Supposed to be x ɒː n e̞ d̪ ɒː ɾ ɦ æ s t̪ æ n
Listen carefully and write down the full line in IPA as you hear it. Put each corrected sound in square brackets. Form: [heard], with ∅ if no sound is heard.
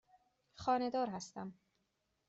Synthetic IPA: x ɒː n e̞ d̪ ɒː ɾ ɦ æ s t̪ æ [m]